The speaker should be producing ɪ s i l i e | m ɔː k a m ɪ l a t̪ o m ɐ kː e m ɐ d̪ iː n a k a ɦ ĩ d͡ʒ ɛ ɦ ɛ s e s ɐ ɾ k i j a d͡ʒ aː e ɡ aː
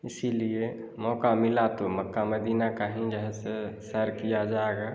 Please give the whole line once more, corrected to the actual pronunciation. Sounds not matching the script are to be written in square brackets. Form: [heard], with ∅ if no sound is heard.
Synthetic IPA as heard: ɪ s i l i e | m ɔː k a m ɪ l a t̪ o m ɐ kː [a] m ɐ d̪ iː n a k a ɦ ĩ d͡ʒ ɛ ɦ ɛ s e s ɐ ɾ k i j a d͡ʒ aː e ɡ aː